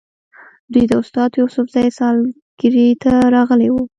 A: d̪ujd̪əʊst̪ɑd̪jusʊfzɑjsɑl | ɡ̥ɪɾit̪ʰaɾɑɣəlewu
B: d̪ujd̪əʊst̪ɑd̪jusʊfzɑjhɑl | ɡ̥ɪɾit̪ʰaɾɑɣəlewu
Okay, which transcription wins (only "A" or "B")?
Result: A